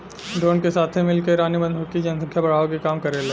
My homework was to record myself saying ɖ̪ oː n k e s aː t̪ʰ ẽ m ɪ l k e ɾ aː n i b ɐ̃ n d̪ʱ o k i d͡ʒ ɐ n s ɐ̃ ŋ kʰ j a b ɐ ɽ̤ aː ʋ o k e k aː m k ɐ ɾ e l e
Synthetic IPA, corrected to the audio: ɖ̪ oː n k e s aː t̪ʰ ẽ m ɪ l k e ɾ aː n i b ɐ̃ n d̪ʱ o k i d͡ʒ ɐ n s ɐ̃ ŋ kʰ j a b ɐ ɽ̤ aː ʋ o k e k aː m k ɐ ɾ e l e